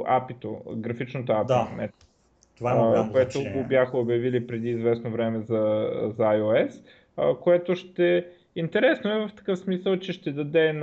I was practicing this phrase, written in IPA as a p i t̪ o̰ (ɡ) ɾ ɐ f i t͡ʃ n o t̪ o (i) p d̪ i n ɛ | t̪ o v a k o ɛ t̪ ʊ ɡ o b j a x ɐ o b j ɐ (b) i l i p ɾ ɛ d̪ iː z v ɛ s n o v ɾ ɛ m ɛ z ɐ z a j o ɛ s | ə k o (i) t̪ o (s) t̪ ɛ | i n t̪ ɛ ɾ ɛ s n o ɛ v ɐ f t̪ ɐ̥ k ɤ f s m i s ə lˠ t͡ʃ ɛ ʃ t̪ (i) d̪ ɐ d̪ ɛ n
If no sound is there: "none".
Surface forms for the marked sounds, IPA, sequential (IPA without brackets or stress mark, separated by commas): ɡ, a, v, ɛ, ʃ, ɛ